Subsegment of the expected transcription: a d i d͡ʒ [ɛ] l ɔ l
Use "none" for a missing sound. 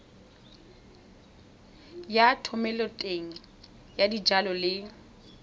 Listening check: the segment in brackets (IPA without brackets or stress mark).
a